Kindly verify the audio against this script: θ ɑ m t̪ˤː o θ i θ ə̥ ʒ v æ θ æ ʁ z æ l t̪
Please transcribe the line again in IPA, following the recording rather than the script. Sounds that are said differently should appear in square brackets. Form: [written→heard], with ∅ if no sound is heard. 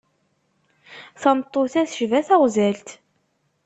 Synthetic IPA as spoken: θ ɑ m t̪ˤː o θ [i→æ] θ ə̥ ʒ v æ θ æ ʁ z æ l t̪